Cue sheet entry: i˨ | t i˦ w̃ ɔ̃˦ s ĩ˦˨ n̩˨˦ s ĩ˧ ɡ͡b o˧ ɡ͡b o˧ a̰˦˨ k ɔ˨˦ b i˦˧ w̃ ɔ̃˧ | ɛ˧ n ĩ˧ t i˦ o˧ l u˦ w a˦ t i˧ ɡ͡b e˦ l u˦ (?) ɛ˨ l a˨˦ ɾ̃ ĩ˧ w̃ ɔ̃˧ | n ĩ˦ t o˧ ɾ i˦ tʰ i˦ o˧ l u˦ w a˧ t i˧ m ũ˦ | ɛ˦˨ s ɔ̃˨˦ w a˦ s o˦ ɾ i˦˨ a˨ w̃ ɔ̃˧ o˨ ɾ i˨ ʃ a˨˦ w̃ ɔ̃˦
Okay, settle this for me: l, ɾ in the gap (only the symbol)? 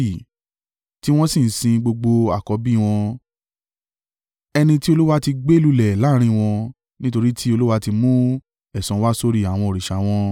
l